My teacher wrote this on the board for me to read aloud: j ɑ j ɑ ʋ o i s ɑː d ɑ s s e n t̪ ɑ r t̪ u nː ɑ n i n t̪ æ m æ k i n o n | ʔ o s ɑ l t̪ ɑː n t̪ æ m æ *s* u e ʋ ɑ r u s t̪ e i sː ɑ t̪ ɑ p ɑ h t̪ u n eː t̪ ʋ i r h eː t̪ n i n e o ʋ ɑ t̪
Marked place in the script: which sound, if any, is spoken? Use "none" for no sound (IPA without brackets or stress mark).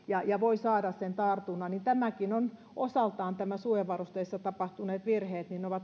s